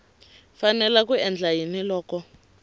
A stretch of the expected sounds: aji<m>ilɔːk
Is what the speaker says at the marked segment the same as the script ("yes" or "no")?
no